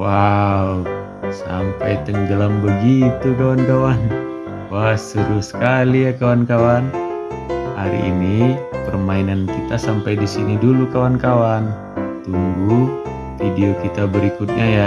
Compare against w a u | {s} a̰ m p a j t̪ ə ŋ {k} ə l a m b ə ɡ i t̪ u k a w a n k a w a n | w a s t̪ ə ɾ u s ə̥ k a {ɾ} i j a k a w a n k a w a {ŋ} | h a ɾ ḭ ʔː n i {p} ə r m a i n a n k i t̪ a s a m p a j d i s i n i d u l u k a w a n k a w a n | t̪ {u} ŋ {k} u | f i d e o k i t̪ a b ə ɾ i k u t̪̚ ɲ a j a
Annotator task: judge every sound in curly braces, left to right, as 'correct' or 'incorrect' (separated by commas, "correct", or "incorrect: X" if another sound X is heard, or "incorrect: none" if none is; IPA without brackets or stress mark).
correct, incorrect: ɡ, incorrect: l, incorrect: n, correct, correct, incorrect: ɡ